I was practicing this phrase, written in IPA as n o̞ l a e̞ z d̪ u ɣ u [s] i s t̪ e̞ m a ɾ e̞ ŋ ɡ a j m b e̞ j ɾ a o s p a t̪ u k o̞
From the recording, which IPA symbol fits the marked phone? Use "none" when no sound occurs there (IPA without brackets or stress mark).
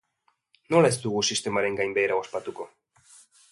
s